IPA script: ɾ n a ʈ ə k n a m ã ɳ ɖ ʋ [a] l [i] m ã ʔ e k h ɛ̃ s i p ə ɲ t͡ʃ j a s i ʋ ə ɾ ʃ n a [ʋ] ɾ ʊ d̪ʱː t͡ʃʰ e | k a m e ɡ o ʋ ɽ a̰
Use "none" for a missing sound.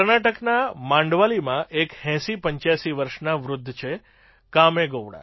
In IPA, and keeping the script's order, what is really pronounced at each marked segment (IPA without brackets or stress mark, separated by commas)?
a, i, ʋ